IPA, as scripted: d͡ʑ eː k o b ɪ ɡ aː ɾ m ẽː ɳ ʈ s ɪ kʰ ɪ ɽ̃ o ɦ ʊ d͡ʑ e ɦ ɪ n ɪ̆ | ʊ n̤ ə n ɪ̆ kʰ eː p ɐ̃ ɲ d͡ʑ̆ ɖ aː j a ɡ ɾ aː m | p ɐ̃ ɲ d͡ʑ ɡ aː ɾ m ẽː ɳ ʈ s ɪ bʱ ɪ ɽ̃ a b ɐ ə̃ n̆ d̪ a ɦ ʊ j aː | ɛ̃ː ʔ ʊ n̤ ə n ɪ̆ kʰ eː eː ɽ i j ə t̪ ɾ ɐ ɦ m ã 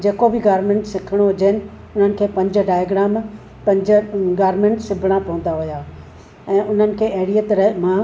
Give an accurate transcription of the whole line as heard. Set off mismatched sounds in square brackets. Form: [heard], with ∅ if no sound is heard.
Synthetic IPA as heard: d͡ʑ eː k o b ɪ ɡ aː ɾ m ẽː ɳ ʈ s ɪ kʰ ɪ ɽ̃ o ɦ ʊ d͡ʑ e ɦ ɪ n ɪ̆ | ʊ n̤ ə n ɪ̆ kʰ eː p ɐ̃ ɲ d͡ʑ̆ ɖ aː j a ɡ ɾ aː m | p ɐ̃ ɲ d͡ʑ ɡ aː ɾ m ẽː ɳ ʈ s ɪ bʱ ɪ ɽ̃ a [p] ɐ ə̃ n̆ d̪ a ɦ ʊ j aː | ɛ̃ː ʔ ʊ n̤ ə n ɪ̆ kʰ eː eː ɽ i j ə t̪ ɾ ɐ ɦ m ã